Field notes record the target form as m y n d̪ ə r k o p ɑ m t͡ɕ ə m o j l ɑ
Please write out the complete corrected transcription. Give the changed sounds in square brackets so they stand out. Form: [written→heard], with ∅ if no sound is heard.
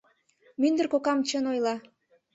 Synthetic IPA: m y n d̪ ə r k o [p→k] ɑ m t͡ɕ ə [m→n] o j l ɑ

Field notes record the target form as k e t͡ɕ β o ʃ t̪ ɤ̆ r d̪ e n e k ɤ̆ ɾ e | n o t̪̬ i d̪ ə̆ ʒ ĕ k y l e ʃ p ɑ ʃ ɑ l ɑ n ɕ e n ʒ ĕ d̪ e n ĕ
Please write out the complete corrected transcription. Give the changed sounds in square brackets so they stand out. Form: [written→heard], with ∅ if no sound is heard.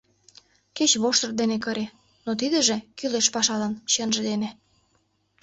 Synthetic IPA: k e t͡ɕ β o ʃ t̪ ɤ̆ r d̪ e n e k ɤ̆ ɾ e | n o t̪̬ i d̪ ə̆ ʒ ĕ k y l e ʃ p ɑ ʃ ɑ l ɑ n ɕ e n ʒ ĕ d̪ e n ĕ

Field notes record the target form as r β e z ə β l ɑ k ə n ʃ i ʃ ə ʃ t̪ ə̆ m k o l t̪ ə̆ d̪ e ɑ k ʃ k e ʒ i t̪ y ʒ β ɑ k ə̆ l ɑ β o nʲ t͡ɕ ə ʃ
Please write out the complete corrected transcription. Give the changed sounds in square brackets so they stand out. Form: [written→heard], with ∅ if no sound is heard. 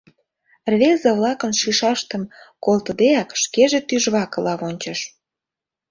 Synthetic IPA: r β e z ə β l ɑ k ə n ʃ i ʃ [ə→ɑ] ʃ t̪ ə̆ m k o l t̪ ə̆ d̪ e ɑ k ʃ k e ʒ [i→e] t̪ y ʒ β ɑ k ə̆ l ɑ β o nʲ t͡ɕ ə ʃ

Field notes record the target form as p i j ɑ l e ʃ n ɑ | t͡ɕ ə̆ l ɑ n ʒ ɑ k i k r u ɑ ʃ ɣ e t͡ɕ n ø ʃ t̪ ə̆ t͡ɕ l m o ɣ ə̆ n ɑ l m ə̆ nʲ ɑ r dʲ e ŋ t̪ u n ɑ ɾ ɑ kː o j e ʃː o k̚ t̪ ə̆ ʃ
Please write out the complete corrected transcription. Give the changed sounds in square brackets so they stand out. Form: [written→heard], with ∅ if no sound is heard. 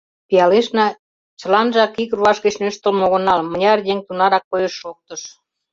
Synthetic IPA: p i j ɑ l e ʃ n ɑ | t͡ɕ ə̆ l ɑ n ʒ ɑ k i k r u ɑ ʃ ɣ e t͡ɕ n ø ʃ t̪ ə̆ [t͡ɕ→∅] l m o ɣ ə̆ n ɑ l m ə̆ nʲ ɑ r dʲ e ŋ t̪ u n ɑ ɾ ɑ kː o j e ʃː o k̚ t̪ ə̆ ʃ

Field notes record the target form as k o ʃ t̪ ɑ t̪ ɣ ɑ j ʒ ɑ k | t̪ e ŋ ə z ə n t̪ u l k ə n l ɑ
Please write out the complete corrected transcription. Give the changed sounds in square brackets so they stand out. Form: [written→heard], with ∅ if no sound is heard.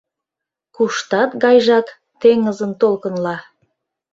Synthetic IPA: k [o→u] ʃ t̪ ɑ t̪ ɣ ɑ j ʒ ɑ k | t̪ e ŋ ə z ə n t̪ [u→o] l k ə n l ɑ

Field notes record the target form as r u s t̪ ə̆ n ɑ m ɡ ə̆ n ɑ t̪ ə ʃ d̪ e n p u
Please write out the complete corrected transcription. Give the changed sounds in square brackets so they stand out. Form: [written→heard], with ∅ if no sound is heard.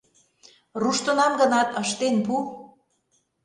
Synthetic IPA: r u [s→ʃ] t̪ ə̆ n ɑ m ɡ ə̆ n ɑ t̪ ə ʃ [d̪→t̪] e n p u

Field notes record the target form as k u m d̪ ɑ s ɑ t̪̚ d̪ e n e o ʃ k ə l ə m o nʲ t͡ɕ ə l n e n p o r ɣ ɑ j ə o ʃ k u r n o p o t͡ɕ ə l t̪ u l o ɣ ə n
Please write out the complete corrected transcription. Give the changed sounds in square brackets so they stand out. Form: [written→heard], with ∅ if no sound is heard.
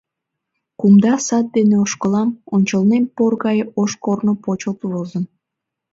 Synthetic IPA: k u m d̪ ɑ s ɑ t̪̚ d̪ e n e o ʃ k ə l [ə→ɑ] m o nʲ t͡ɕ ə l n e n p o r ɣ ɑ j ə o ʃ k [u→o] r n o p o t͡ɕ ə l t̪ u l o [ɣ→z] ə n

